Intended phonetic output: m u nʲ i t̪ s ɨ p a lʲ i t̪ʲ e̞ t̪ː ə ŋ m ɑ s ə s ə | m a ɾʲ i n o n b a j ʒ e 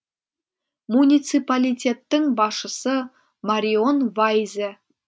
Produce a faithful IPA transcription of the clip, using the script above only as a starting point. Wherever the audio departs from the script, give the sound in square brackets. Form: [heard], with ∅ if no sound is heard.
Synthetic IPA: m u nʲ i t̪ s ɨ p a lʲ i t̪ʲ e̞ t̪ː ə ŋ [b] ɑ [ʃ] ə s ə | m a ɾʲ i [∅] o n [v] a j [z] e